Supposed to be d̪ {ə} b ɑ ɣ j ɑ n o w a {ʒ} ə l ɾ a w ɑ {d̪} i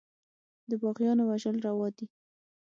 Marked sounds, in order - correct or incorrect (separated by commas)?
correct, correct, correct